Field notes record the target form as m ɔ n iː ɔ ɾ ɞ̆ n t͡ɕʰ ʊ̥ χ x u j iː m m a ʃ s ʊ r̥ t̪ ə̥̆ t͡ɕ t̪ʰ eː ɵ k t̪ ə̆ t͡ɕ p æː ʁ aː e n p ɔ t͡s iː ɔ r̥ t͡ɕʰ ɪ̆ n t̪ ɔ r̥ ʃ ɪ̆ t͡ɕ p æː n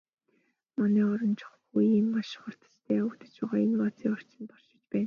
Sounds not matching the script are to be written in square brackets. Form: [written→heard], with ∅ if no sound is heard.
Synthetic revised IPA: m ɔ n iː ɔ ɾ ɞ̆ n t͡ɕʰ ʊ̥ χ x u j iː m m a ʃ [s→χ] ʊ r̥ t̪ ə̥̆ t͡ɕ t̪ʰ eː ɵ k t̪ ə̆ t͡ɕ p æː ʁ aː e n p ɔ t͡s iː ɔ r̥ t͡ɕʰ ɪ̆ n t̪ ɔ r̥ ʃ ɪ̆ t͡ɕ p æː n